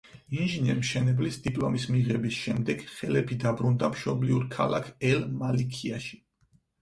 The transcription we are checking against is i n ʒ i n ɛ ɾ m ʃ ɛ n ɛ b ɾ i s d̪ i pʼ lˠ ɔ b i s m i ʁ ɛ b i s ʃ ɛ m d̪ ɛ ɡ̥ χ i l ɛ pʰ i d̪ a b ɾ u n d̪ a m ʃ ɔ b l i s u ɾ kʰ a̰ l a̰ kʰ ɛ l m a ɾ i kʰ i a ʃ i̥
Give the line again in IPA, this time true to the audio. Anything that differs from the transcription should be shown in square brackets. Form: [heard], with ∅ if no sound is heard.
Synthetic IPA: i n ʒ i n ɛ ɾ m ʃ ɛ n ɛ b [l] i s d̪ i pʼ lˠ ɔ [m] i s m i ʁ ɛ b i s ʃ ɛ m d̪ ɛ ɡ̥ χ [ɛ] l ɛ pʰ i d̪ a b ɾ u n d̪ a m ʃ ɔ b l i [∅] u ɾ kʰ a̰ l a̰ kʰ ɛ l m a [l] i kʰ i a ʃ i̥